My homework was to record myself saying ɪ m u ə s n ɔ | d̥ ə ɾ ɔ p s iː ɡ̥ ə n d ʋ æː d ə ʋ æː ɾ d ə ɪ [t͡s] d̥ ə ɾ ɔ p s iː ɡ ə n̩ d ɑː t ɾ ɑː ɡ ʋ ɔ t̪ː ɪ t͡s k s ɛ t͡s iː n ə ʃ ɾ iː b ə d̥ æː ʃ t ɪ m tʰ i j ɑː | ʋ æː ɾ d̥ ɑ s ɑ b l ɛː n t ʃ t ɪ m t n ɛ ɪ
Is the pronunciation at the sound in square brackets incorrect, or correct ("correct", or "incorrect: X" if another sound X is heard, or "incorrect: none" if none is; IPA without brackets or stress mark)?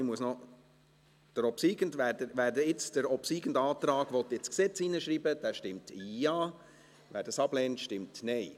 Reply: correct